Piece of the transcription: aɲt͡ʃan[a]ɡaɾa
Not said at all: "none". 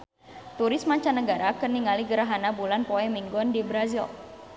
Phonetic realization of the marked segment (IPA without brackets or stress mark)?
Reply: ə